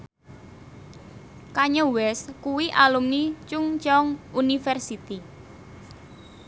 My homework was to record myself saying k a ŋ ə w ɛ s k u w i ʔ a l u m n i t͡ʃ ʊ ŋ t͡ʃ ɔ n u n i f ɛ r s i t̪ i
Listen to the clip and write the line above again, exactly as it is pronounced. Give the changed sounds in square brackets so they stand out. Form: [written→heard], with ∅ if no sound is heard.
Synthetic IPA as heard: k a [ŋ→ɲ] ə w ɛ s k u w i ʔ a l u m n i t͡ʃ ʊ ŋ t͡ʃ ɔ [n→ŋ] u n i f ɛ r s i t̪ i